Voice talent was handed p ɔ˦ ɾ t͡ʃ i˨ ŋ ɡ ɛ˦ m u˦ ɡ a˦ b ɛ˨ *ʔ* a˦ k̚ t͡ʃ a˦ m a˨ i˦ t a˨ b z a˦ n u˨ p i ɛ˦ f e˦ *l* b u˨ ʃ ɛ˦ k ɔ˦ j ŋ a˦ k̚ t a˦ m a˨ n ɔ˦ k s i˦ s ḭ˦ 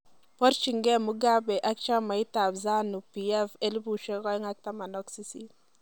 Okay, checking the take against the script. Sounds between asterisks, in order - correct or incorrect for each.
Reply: correct, correct

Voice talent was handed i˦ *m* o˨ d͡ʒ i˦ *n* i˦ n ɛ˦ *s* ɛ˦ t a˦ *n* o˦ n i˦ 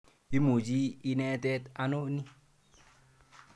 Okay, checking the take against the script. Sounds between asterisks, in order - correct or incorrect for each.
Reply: correct, incorrect: none, incorrect: t, correct

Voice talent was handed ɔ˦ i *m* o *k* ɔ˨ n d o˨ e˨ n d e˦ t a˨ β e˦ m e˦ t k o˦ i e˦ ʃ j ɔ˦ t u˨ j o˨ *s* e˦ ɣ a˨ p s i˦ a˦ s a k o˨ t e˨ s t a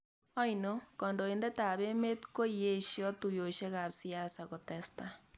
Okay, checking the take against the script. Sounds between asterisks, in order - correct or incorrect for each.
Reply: incorrect: n, correct, incorrect: ʃ

